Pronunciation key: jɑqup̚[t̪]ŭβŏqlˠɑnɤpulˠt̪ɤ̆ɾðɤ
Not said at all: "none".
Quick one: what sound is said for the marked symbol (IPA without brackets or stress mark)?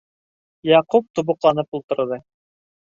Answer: t̪